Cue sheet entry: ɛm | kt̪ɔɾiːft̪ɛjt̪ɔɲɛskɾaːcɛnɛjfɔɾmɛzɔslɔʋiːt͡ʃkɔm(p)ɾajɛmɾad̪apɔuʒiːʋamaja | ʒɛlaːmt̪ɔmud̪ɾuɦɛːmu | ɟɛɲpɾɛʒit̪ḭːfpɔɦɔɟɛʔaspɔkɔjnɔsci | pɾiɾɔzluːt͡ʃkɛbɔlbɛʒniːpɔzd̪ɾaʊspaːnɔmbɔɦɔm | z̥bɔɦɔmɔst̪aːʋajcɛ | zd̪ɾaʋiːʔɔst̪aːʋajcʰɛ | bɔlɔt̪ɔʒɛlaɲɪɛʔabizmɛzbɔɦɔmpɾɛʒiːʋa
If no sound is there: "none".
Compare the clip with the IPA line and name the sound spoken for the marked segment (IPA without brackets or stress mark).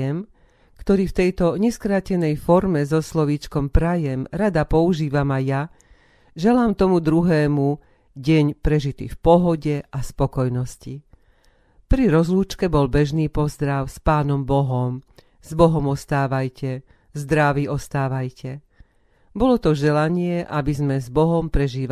p